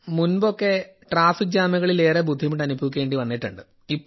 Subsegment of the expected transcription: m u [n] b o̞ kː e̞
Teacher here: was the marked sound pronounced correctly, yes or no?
yes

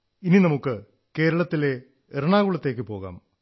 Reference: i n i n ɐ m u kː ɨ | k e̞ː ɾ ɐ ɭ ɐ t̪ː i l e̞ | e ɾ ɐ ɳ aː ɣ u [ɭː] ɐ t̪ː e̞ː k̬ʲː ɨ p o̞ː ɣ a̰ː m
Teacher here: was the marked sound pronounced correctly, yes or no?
no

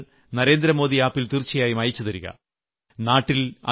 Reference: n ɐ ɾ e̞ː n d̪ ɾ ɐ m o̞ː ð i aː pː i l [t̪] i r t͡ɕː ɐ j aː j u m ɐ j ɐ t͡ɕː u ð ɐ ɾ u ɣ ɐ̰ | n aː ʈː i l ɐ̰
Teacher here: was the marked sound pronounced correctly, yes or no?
yes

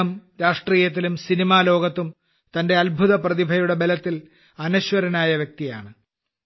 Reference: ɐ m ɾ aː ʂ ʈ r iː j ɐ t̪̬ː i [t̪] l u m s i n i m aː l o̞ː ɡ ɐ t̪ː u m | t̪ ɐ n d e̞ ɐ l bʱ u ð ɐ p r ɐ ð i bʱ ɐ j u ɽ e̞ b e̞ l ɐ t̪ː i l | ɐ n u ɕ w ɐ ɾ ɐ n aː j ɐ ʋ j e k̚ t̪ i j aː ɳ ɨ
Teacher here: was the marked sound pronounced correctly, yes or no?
no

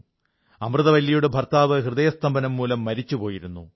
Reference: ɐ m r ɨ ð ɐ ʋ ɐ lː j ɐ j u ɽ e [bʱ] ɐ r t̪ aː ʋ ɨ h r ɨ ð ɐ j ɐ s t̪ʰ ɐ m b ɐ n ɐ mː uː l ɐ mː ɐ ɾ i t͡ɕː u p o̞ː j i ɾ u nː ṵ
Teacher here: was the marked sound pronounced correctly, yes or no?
yes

